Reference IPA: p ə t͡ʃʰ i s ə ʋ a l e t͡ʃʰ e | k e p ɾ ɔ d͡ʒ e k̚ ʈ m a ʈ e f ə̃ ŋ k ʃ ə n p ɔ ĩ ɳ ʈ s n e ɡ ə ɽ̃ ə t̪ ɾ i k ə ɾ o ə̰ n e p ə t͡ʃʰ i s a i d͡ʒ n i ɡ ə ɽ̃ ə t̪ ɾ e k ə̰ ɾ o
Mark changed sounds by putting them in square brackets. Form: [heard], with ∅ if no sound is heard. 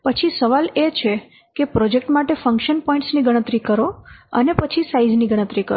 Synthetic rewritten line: p ə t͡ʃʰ i s ə ʋ a l e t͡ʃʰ e | k e p ɾ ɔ d͡ʒ e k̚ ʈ m a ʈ e f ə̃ ŋ k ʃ ə n p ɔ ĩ ɳ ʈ s n [i] ɡ ə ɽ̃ ə t̪ ɾ i k ə ɾ o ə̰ n e p ə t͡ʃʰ i s a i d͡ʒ n i ɡ ə ɽ̃ ə t̪ ɾ [i] k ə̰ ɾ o